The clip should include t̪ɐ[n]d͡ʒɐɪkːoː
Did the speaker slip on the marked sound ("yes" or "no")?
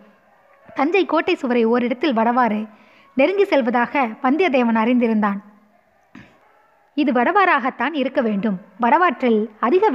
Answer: yes